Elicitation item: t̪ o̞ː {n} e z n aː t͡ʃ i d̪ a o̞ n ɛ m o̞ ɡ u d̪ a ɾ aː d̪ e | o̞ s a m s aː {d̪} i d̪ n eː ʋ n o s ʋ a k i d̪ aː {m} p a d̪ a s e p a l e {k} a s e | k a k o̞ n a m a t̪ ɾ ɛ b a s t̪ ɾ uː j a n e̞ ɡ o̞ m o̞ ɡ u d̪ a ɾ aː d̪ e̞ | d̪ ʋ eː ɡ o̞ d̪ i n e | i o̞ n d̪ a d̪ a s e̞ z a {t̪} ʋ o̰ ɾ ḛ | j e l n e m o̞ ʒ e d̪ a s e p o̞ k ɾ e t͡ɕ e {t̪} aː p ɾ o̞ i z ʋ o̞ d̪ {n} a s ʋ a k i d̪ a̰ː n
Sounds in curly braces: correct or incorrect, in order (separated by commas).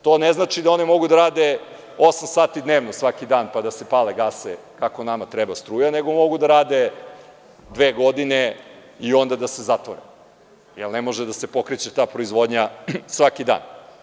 correct, incorrect, incorrect, incorrect, correct, correct, incorrect